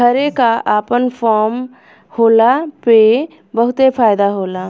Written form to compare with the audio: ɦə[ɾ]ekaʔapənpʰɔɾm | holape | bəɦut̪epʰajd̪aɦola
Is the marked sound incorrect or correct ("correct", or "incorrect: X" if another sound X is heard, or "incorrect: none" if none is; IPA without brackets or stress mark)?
correct